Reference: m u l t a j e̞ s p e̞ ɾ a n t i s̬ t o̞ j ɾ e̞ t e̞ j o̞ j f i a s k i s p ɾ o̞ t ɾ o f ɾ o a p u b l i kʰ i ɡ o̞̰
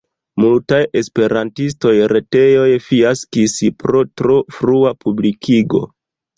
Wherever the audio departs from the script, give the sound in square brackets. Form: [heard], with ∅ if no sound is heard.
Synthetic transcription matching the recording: m u l t a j e̞ s p e̞ ɾ a n t i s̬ t o̞ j ɾ e̞ t e̞ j o̞ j f i a s k i s p ɾ o̞ t ɾ o f ɾ [u] a p u b l i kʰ i ɡ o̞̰